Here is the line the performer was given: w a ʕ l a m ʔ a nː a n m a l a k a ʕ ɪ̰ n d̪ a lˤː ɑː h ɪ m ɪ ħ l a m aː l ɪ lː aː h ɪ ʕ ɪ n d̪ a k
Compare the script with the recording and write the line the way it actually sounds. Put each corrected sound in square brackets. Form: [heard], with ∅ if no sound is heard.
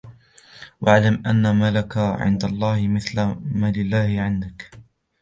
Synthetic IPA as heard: w a ʕ l a m ʔ a nː a [∅] m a l a k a ʕ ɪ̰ n d̪ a lˤː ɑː h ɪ m ɪ [θ] l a m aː l ɪ lː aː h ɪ ʕ ɪ n d̪ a k